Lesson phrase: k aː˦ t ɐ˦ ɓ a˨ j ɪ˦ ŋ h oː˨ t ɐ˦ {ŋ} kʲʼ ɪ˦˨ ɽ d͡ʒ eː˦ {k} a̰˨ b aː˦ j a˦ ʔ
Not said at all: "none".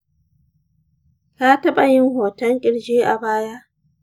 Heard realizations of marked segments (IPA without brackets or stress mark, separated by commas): ŋ, ʔ